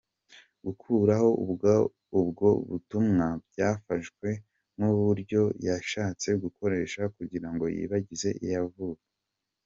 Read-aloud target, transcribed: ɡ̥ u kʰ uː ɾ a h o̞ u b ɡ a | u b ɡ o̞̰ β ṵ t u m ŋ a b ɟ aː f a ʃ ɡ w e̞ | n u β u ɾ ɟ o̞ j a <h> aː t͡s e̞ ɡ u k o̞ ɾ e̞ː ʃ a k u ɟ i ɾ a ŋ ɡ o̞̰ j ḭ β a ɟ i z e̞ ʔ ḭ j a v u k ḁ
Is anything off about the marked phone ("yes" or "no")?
yes